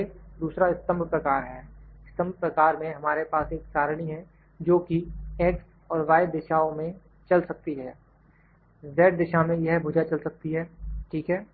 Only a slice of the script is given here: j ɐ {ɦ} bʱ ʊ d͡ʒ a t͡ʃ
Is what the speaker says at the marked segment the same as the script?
yes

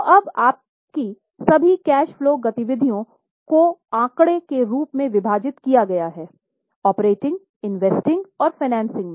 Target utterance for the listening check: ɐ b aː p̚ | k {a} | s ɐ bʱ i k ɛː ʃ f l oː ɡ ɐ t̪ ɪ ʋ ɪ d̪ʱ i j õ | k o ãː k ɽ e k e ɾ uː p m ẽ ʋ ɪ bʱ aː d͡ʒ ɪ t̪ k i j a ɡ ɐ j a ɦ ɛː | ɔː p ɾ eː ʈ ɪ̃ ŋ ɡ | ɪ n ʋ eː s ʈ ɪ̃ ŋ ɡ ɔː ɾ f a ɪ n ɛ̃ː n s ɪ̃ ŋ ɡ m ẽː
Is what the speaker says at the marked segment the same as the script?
no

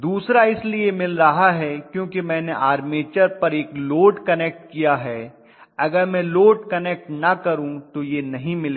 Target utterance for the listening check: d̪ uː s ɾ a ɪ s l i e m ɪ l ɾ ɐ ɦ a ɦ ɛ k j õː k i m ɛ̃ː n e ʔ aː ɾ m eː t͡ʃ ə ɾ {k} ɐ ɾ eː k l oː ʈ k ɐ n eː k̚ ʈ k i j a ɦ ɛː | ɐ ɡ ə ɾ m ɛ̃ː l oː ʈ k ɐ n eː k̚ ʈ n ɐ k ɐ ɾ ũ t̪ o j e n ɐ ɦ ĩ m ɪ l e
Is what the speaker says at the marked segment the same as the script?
no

